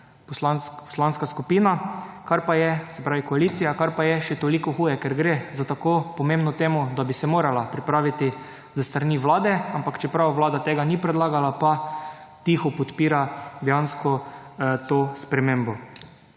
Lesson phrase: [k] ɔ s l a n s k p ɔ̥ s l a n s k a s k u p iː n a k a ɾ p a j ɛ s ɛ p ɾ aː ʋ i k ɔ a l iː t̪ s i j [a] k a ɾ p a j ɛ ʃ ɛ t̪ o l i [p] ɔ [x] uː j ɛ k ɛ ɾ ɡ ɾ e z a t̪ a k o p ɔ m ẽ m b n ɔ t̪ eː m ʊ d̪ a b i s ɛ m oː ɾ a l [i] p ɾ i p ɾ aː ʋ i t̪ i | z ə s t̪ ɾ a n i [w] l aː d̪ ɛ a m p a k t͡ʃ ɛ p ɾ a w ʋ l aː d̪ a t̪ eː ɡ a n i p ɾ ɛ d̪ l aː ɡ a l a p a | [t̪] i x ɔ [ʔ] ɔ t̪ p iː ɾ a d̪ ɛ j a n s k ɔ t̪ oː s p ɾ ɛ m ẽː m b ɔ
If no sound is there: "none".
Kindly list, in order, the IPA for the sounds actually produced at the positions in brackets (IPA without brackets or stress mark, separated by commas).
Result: p, a, k, x, a, ʋ, t̪, p